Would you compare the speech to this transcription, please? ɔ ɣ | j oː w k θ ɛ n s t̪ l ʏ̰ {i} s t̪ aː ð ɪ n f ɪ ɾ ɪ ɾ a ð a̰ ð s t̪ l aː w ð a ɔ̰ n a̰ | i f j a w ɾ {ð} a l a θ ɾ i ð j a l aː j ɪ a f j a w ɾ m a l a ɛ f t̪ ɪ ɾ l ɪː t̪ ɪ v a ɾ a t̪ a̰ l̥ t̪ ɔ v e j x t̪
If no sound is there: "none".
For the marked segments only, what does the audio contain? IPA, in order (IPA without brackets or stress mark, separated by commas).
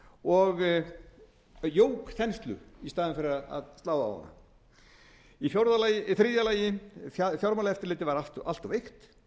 i, ð